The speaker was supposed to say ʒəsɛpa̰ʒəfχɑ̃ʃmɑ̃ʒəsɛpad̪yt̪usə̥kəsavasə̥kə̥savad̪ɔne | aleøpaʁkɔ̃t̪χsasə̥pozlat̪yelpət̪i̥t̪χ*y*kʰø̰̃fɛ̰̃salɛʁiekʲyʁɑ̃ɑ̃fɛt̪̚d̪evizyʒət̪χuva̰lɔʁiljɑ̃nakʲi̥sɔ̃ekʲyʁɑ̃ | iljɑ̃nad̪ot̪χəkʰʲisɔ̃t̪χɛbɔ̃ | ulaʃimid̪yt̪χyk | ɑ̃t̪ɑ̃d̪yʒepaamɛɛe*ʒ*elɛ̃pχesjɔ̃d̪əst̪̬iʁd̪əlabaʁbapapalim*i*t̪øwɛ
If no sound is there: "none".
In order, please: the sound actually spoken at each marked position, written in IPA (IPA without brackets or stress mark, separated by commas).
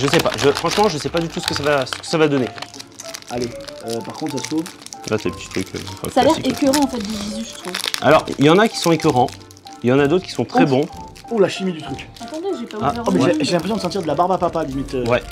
y, ʒ, i